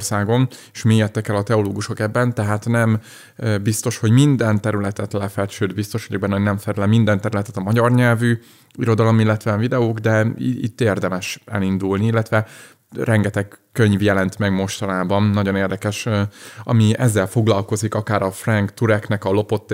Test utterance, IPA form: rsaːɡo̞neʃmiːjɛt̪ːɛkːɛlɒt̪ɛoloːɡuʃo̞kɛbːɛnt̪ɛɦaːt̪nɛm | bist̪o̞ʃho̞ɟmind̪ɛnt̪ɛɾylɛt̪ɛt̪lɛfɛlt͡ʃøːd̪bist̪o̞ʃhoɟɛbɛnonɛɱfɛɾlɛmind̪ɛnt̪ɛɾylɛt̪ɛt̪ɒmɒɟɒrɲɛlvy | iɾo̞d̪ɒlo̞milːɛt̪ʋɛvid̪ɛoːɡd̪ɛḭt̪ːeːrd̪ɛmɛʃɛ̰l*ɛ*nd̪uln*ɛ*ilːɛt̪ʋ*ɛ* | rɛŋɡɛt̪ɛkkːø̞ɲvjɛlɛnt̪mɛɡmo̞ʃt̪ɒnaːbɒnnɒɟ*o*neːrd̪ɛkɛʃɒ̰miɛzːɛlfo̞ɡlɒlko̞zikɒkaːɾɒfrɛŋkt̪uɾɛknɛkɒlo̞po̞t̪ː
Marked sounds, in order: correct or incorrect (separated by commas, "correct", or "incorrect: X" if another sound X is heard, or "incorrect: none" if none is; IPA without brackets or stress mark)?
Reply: incorrect: i, incorrect: i, correct, correct